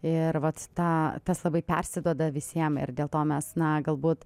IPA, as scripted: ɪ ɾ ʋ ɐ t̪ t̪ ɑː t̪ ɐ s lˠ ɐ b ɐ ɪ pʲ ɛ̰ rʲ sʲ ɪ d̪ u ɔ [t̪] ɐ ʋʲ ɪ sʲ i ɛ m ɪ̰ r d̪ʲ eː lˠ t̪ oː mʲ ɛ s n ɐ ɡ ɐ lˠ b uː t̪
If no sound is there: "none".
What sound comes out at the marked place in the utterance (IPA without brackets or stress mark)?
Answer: d̪